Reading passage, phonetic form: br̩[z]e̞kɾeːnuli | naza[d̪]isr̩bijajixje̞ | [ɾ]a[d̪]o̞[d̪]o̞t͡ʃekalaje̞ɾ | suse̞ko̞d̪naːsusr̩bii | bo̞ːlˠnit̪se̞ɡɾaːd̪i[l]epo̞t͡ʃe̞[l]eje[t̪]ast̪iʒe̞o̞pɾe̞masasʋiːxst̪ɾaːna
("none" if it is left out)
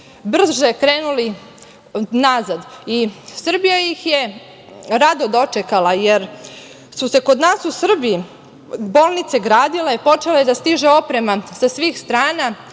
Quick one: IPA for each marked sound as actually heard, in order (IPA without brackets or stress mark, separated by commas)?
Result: ʒ, d̪, ɾ, d̪, d̪, l, l, d̪